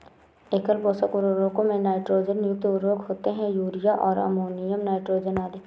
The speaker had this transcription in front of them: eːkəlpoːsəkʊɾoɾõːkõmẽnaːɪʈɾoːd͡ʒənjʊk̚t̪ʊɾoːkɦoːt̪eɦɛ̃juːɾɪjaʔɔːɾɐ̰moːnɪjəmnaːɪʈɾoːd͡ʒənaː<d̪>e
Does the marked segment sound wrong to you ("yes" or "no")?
no